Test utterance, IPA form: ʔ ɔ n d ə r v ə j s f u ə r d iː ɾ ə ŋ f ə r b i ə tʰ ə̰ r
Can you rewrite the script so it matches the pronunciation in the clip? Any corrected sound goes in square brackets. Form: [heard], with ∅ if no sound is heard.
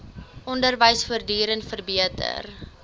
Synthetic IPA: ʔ ɔ n d ə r v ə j s f u ə r d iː ɾ ə [n] f ə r b i ə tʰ ə̰ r

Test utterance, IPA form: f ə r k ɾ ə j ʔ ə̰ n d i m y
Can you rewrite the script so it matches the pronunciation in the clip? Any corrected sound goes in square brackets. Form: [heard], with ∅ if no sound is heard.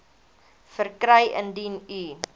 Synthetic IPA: f ə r k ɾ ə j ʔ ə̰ n d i [n] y

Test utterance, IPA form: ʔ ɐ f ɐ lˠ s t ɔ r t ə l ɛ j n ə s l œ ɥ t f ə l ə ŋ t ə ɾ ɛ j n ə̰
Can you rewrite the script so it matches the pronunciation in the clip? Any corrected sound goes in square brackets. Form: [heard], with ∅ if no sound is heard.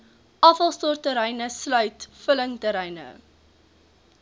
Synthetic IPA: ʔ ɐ f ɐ lˠ s t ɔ r t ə [ɾ] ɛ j n ə s l œ ɥ t f ə l ə ŋ t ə ɾ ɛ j n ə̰

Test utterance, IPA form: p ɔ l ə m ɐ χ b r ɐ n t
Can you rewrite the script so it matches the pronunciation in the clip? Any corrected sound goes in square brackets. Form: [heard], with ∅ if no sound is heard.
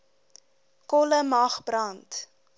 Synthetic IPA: [k] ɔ l ə m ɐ χ b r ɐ n t

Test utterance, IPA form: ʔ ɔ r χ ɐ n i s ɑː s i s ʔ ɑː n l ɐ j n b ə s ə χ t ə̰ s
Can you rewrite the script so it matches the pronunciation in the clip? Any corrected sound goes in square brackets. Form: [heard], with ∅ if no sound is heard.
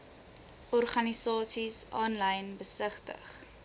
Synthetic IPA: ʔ ɔ r χ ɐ n i s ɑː s i s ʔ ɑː n l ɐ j n b ə s ə χ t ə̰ [χ]

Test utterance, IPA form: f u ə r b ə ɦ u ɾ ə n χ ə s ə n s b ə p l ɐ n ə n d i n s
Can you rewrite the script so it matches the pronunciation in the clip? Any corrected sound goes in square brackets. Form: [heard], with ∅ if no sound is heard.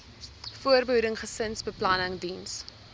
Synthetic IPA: f u ə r b ə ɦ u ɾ ə [ŋ] χ ə s ə n s b ə p l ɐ n ə [ŋ] d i n s

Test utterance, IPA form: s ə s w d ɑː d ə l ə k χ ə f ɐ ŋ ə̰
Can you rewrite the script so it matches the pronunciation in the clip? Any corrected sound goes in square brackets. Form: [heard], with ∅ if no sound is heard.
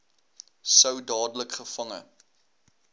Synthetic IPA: s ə [∅] w d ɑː d ə l ə k χ ə f ɐ ŋ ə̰

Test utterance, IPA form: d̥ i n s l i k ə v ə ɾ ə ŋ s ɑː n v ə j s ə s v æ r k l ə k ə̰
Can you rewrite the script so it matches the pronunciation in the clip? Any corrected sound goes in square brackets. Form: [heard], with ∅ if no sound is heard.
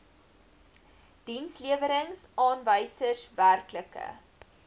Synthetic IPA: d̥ i n s l i [∅] ə v ə ɾ ə ŋ s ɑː n v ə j s ə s v æ r k l ə k ə̰

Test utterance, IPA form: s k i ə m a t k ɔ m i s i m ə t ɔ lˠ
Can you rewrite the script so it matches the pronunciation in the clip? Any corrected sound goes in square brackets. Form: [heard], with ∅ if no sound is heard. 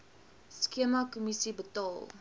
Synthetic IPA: s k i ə m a [∅] k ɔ m i s i [b] ə t ɔ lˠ

